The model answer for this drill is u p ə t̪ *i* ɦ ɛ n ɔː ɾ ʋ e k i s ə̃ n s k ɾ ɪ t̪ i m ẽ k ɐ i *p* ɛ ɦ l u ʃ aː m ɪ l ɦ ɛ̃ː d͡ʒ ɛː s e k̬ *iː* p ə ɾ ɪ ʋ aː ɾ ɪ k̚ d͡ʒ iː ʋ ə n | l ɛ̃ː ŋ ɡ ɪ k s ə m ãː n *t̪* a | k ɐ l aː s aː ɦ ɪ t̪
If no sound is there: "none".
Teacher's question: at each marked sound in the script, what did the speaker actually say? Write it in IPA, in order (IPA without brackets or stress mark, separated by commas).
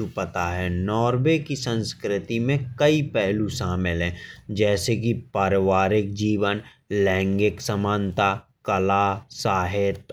a, p, i, t̪